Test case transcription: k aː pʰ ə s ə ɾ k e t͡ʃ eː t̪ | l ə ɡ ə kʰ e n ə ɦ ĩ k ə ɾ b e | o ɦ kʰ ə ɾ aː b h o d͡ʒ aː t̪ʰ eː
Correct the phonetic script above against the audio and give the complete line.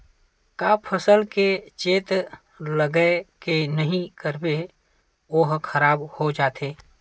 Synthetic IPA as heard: k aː pʰ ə s ə l k e t͡ʃ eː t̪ | l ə ɡ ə k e n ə ɦ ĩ k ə ɾ b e | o ɦ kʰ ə ɾ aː b h o d͡ʒ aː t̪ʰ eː